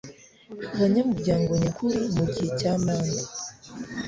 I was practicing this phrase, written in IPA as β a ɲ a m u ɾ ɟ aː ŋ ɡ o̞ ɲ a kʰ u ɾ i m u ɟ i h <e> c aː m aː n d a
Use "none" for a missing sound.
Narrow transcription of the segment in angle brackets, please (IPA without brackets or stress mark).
e